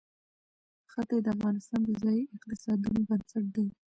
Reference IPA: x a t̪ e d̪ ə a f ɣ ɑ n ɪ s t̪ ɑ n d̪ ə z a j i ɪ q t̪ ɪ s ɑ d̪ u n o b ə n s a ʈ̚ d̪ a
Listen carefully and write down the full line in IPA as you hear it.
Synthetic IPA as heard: x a t̪ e d̪ ə a f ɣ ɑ n ɪ s t̪ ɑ n d̪ ə z ɑ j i ɪ q t̪ ɪ s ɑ d̪ u n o b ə n s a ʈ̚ d̪ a